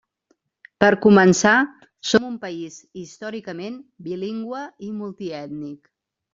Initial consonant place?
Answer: labial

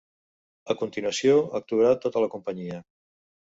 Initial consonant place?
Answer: velar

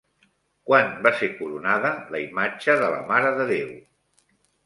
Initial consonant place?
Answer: velar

